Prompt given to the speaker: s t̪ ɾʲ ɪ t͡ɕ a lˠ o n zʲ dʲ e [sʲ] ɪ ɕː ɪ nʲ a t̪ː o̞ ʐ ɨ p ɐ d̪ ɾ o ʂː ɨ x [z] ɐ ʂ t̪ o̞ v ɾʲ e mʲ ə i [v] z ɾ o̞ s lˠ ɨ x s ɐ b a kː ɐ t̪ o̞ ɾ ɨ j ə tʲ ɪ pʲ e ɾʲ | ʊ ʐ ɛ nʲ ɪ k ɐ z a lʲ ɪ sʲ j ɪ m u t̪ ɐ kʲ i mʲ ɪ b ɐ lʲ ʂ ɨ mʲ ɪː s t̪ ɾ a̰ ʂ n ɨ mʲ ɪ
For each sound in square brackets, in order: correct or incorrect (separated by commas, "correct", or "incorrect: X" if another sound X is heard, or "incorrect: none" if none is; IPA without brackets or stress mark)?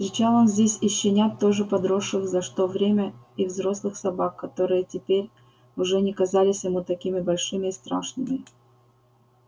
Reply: correct, correct, correct